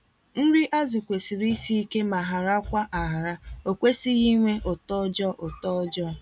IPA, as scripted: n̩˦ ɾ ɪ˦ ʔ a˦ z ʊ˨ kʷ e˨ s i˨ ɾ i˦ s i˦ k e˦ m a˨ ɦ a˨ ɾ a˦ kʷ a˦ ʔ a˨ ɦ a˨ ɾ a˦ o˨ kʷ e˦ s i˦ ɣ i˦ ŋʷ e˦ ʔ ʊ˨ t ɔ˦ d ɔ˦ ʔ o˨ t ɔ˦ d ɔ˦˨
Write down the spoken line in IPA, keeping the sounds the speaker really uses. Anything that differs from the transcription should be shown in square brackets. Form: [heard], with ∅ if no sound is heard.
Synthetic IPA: n̩˦ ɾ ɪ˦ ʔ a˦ z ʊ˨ kʷ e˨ s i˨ ɾ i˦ s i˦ k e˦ m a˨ ɦ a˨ ɾ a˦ kʷ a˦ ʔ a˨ ɦ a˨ ɾ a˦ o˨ kʷ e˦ s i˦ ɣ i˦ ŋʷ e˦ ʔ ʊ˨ t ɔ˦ [d͡ʒ] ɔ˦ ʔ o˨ t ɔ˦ [d͡ʒ] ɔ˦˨

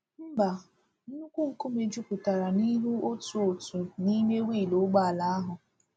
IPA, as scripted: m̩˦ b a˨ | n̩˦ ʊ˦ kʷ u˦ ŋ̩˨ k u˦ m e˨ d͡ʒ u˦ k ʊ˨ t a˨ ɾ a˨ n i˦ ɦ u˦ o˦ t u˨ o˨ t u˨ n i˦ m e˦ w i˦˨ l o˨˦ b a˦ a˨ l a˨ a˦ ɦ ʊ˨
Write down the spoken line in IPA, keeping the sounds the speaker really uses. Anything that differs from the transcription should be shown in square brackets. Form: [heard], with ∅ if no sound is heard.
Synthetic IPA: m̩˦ b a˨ | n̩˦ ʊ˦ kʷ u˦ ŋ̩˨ k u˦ m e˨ d͡ʒ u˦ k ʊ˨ t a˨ ɾ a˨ n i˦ ɦ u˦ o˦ t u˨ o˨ t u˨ n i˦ m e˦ w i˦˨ l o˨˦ [ɡ͡b] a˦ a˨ l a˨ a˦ ɦ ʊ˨

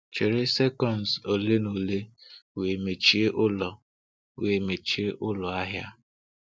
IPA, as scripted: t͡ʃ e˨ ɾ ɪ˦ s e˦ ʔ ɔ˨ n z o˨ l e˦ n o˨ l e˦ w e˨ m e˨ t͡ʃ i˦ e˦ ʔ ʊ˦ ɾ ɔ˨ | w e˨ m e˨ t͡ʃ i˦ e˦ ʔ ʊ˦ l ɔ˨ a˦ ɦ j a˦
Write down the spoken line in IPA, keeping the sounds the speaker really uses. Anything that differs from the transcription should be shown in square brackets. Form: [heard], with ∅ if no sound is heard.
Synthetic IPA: t͡ʃ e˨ ɾ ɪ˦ s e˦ [k] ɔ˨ n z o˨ l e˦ n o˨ l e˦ w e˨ m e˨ t͡ʃ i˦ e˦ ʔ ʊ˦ [l] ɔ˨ | w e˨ m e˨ t͡ʃ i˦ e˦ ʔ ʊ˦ l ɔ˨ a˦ ɦ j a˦

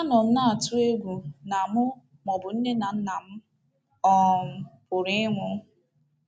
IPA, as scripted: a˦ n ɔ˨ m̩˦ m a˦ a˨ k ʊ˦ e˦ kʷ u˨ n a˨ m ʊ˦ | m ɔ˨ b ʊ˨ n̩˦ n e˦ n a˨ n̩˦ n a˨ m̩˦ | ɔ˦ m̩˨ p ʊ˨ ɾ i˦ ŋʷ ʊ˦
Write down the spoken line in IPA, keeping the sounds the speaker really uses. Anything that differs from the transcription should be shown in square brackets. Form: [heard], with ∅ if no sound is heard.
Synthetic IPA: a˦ n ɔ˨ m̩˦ [n] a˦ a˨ [t] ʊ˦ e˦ [ɡʷ] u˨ n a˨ m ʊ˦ | m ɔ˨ b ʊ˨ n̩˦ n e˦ n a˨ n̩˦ n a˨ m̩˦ | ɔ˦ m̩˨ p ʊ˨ ɾ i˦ ŋʷ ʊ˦

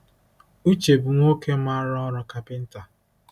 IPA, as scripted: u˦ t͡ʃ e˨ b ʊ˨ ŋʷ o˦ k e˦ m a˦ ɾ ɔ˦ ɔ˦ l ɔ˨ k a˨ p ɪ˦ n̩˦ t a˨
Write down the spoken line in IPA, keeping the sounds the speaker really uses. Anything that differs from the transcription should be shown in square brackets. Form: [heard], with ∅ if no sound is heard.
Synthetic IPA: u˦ t͡ʃ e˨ b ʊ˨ ŋʷ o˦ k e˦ m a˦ ɾ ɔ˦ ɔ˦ [ɾ] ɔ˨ k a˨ p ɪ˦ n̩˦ t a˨

